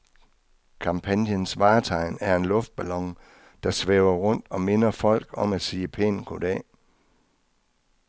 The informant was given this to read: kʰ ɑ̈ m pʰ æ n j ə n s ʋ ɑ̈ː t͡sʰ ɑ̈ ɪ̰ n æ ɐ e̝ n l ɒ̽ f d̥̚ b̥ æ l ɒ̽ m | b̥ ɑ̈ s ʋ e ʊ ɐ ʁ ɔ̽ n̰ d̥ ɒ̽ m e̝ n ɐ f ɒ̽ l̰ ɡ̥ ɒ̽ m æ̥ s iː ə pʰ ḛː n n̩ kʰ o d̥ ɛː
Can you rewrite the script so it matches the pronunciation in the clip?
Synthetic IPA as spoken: kʰ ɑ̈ m pʰ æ n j ə n s ʋ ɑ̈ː t͡sʰ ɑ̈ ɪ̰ n æ ɐ e̝ n l ɔ̽ f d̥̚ b̥ æ l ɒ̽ ŋ | d̥ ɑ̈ s ʋ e ʊ ɐ ʁ ɔ̽ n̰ d̥ ɒ̽ m e̝ n ɐ f ɒ̽ l̰ ɡ̥ ɒ̽ m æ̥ s iː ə pʰ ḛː n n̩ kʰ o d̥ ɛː